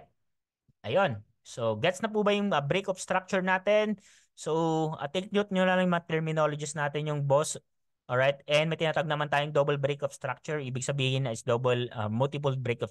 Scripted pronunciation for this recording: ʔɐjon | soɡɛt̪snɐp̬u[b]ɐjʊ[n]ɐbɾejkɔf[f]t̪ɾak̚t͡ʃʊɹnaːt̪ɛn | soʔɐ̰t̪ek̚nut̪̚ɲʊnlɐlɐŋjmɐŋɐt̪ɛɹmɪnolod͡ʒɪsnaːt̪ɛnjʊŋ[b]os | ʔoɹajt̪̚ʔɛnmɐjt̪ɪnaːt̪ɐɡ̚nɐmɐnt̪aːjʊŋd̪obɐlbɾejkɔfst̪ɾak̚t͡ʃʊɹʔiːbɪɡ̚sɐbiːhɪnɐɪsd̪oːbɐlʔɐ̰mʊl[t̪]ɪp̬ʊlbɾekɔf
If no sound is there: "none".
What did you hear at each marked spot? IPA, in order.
b, ŋ, s, b, t̪

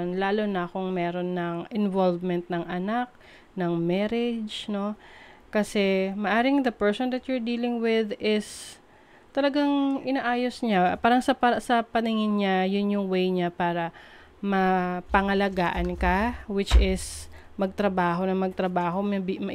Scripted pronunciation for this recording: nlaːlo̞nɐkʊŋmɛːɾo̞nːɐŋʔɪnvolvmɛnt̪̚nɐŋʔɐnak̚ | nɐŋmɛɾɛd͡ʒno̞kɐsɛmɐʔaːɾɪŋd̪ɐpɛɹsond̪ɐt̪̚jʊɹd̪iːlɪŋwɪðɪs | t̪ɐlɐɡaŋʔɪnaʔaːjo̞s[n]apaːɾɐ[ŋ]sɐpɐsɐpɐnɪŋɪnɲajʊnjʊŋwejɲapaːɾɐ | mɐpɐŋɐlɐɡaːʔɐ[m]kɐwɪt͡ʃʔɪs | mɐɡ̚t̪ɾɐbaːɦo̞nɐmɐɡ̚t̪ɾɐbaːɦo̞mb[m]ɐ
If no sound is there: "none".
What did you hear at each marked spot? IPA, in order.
ɲ, ŋ, n, m

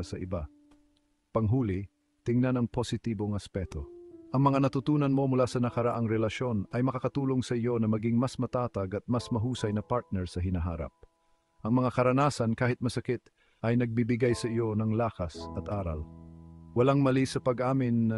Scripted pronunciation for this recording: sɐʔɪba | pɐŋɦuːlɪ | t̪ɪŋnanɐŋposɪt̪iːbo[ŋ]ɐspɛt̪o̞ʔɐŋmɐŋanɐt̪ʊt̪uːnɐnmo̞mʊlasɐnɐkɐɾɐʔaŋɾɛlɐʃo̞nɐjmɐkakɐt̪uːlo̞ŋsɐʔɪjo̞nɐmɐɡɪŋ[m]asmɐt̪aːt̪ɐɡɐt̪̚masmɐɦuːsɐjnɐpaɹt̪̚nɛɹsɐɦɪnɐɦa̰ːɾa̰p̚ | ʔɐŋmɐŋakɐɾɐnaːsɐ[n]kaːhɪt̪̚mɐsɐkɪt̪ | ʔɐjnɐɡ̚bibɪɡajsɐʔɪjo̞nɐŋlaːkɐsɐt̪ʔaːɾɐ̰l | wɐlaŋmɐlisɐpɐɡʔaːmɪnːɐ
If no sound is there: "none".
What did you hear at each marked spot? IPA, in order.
ŋ, m, n

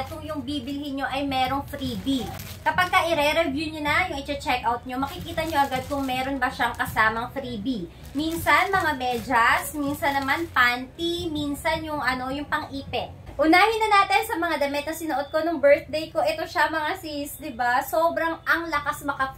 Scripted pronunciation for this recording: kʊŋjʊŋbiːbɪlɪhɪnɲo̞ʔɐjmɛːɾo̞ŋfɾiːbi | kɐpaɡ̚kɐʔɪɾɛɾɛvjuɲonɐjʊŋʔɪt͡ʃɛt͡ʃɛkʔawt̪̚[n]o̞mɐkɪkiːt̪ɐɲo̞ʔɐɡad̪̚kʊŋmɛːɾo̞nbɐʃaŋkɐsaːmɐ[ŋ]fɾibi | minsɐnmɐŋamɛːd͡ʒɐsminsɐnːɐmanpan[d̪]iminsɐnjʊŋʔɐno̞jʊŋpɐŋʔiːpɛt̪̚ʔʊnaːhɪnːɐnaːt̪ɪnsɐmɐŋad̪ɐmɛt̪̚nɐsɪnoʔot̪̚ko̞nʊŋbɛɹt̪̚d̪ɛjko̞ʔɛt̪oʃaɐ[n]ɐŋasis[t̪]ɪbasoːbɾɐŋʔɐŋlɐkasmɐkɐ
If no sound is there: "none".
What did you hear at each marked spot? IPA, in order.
ɲ, ŋ, t̪, m, d̪

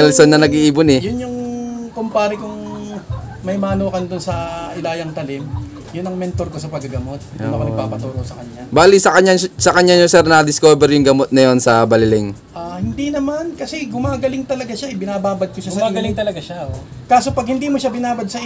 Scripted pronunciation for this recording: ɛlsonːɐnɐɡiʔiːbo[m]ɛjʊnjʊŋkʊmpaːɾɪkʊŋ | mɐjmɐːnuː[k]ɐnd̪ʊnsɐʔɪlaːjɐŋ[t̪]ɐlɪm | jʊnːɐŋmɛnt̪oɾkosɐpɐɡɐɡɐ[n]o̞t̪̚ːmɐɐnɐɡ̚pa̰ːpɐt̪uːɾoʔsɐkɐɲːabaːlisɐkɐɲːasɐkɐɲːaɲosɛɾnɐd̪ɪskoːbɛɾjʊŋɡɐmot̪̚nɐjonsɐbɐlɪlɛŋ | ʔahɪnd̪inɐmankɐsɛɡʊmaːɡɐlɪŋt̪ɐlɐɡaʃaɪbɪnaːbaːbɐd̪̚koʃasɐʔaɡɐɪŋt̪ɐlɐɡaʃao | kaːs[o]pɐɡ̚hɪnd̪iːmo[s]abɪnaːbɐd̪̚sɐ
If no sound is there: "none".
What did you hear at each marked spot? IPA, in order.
n, k, t̪, m, o, ʃ

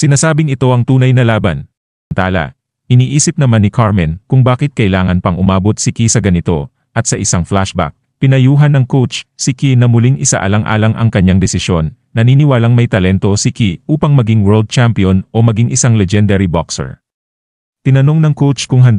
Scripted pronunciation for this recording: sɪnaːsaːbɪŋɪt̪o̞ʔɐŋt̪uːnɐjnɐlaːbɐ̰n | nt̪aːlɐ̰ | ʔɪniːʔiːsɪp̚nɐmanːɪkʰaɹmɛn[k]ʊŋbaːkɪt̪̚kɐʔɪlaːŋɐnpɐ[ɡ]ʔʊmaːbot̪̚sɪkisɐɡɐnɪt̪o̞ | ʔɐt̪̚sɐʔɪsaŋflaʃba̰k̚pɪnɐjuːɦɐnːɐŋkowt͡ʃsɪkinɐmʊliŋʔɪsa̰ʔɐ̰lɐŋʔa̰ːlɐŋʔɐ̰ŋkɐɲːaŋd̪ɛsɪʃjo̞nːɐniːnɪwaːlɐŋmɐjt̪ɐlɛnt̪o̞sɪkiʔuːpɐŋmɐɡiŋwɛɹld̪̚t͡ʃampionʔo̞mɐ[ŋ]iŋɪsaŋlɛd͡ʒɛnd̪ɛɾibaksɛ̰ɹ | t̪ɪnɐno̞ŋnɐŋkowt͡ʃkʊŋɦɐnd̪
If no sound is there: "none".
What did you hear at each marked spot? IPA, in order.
k, ŋ, ɡ

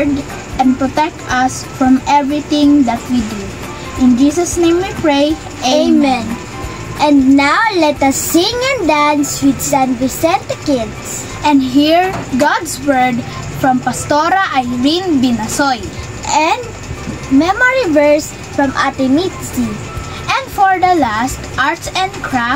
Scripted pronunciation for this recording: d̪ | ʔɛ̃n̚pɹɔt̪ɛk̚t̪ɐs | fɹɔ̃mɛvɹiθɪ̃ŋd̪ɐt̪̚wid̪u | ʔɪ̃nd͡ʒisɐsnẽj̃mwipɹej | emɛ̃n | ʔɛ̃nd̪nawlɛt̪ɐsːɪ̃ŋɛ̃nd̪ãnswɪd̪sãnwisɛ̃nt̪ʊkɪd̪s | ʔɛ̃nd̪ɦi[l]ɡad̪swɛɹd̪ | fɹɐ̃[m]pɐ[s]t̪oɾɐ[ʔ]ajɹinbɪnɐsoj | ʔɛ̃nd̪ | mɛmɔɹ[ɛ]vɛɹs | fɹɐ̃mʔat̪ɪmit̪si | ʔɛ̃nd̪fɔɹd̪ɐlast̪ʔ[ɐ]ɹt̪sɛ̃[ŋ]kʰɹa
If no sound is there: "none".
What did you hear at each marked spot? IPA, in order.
ɹ, m, s, ʔ, i, a, n

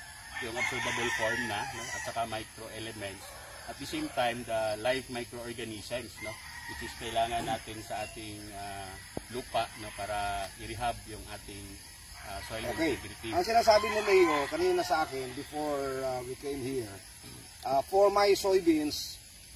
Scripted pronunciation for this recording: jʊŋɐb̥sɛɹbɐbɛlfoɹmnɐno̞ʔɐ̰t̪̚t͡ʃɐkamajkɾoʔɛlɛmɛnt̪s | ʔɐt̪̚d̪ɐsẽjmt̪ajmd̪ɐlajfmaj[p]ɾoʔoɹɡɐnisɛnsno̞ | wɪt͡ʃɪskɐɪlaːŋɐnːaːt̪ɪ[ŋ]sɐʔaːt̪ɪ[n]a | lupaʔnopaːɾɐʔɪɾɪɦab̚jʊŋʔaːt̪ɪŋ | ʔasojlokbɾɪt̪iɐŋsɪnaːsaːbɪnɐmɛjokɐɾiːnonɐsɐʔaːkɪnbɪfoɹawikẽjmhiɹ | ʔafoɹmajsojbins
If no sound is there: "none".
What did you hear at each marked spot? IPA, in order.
k, n, ŋ

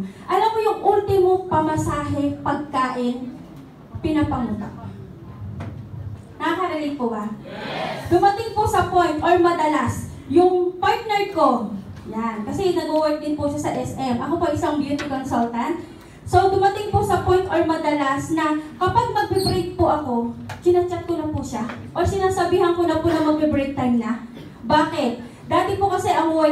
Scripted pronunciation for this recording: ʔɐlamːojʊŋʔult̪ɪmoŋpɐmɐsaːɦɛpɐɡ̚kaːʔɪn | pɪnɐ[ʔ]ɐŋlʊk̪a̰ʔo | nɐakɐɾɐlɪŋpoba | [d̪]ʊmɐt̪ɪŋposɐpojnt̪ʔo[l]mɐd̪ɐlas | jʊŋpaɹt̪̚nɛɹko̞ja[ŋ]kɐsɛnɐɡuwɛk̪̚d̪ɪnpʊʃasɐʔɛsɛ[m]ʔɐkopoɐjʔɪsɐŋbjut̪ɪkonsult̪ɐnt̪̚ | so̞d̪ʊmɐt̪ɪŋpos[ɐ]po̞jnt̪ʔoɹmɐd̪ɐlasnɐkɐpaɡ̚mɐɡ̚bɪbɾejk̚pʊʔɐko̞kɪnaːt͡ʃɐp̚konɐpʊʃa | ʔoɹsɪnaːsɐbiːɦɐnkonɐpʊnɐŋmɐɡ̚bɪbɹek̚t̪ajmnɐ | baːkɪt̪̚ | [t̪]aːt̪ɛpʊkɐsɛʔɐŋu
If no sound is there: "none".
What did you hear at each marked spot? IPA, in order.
p, d̪, ɹ, n, m, ɐ, d̪

